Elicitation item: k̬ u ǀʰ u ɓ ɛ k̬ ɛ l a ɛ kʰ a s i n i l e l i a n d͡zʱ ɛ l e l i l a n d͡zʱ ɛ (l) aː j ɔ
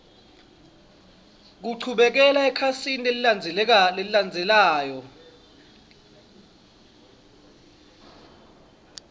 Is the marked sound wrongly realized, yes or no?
no